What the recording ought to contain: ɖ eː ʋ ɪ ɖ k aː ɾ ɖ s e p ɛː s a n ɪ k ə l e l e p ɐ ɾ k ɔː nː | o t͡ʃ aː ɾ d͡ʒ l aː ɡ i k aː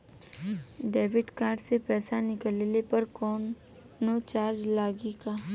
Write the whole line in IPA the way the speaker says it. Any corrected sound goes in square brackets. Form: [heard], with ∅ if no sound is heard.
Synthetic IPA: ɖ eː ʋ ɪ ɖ k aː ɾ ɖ s e p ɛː s a n ɪ k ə l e l e p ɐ ɾ k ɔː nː | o t͡ʃ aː ɾ d͡ʒ l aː ɡ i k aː

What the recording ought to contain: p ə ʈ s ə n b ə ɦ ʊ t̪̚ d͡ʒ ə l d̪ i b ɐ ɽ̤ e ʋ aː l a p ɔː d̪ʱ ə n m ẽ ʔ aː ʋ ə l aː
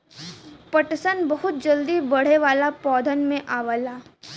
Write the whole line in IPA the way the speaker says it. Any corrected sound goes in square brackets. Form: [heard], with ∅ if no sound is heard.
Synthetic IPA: p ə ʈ s ə n b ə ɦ ʊ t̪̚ d͡ʒ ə l d̪ i b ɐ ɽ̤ e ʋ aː l a p ɔː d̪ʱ ə n m ẽ ʔ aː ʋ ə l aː

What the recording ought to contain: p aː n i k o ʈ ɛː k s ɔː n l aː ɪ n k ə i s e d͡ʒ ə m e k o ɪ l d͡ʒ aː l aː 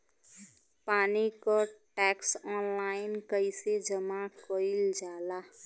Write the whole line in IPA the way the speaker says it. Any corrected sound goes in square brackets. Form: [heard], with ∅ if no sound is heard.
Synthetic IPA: p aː n i k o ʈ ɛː k s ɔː n l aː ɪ n k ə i s e d͡ʒ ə m [a] k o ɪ l d͡ʒ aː l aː

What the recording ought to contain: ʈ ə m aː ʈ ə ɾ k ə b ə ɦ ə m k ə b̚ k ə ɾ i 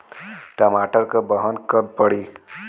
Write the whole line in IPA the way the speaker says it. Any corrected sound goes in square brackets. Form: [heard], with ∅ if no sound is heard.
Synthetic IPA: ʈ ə m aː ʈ ə ɾ k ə b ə ɦ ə [n] k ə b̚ [p] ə [ɽ] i

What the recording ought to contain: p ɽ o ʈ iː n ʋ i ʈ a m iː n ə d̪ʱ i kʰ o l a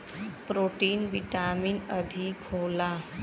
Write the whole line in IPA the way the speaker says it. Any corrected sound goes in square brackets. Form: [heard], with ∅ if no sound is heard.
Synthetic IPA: p [ɾ] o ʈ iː n ʋ i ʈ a m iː n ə d̪ʱ i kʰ o l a

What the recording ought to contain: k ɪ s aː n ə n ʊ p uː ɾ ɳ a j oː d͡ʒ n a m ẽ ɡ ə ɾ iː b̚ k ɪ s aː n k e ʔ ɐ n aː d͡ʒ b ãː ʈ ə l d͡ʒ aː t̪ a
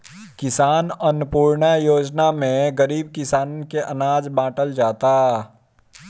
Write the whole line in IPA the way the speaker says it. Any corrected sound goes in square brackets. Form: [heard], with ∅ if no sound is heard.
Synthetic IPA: k ɪ s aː n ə n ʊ p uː ɾ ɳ a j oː d͡ʒ n a m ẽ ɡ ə ɾ iː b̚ k ɪ s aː n k e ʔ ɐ n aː d͡ʒ b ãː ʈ ə l d͡ʒ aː t̪ a

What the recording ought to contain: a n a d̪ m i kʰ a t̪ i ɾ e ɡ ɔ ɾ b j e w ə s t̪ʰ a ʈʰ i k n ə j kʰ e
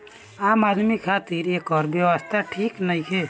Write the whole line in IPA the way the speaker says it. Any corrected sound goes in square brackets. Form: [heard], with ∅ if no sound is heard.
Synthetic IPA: a [m] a d̪ m i kʰ a t̪ i ɾ e [k] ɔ ɾ b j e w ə s t̪ʰ a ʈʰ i k n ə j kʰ e

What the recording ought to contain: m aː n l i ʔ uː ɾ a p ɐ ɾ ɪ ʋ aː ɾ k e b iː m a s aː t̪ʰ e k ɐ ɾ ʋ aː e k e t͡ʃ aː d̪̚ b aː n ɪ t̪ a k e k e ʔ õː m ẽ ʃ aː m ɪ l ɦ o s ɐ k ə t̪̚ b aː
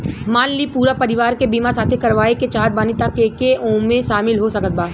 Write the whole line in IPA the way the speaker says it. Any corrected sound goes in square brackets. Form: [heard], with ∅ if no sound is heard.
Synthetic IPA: m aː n l i [p] uː ɾ a p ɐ ɾ ɪ ʋ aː ɾ k e b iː m a s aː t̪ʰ e k ɐ ɾ ʋ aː e k e t͡ʃ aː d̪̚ b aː n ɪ t̪ a k e k e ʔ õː m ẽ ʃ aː m ɪ l ɦ o s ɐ k ə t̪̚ b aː

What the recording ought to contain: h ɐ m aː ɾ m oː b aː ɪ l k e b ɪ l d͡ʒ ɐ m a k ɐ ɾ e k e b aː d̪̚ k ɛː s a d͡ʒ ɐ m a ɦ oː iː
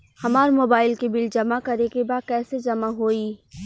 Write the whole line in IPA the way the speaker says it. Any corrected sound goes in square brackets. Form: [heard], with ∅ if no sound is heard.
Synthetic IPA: h ɐ m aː ɾ m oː b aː ɪ l k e b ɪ l d͡ʒ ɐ m a k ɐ ɾ e k e b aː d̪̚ k ɛː s [e] d͡ʒ ɐ m a ɦ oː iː

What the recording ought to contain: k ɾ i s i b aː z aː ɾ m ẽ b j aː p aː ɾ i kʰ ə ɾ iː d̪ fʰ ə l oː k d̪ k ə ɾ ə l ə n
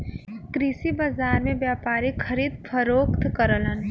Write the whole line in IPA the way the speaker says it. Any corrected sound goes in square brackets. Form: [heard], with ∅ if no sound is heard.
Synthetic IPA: k ɾ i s i b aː z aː ɾ m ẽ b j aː p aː ɾ i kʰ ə ɾ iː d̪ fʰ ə [ɾ] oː k [t̪] k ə ɾ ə l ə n

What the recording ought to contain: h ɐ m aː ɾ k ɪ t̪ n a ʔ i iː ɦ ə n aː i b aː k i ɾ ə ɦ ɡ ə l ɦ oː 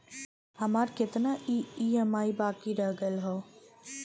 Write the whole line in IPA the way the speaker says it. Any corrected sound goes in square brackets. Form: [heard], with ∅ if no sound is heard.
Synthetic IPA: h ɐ m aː ɾ k ɪ t̪ n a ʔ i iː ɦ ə [m] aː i b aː k i ɾ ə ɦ ɡ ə l ɦ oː

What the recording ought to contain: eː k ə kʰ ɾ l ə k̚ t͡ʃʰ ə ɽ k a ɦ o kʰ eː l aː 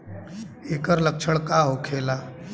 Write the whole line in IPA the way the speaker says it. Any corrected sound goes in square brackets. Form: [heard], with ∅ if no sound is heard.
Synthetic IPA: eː k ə [∅] ɾ l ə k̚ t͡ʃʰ ə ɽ k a ɦ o kʰ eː l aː

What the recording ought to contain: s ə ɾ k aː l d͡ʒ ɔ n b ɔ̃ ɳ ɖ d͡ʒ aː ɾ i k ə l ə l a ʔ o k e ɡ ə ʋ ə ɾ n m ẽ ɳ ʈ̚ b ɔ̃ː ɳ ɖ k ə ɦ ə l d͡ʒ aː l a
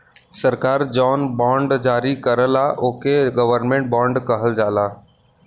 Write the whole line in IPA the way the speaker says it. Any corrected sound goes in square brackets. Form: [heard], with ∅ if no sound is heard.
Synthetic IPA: s ə ɾ k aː [ɾ] d͡ʒ ɔ n b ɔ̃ ɳ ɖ d͡ʒ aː ɾ i k ə [ɾ] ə l a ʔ o k e ɡ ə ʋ ə ɾ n m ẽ ɳ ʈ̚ b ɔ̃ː ɳ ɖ k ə ɦ ə l d͡ʒ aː l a

